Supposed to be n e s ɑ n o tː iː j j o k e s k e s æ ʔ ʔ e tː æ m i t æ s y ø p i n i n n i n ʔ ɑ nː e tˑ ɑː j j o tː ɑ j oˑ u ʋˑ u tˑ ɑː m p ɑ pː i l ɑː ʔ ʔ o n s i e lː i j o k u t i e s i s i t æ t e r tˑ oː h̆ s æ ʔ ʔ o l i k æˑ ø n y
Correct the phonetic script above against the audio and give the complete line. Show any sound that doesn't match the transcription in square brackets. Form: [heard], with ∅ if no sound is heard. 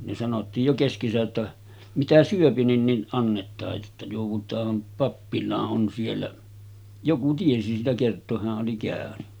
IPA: n e s ɑ n o tː iː j j o k e s k e s æ ʔ ʔ e tː æ m i t æ s y ø p i n i n n i n ʔ ɑ nː e tˑ ɑː j j o tː ɑ j oˑ u ʋˑ u tˑ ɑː m p ɑ pː i l ɑː ʔ ʔ o n s i e lː [æ] j o k u t i e s i s [iː] t æ [k] e r tˑ oː h̆ [h] æ ʔ ʔ o l i k æˑ ø n y

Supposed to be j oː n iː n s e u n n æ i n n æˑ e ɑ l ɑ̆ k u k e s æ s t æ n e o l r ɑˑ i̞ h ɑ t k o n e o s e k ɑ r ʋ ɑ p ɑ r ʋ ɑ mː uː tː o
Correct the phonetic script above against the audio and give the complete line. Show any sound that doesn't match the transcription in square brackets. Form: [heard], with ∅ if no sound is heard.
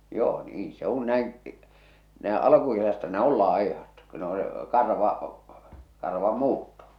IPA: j oː n iː n s e u n n æ i n n æˑ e ɑ l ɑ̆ k u k e s æ s t æ n e o l [l] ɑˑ i̞ h ɑ t k o n e o s e k ɑ r ʋ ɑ [k] ɑ r ʋ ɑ mː uː tː o

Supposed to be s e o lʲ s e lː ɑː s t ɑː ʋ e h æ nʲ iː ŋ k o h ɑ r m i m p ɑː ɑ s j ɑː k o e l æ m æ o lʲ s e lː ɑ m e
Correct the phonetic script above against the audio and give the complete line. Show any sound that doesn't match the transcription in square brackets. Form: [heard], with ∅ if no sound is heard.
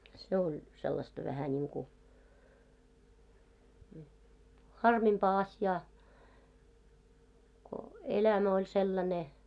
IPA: s e o lʲ s e lː [ɑ] s t [ɑ] ʋ [æ] h æ nʲ iː ŋ k [u] h ɑ r m i m p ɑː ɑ s j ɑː k o e l æ m æ o lʲ s e lː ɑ [n] e

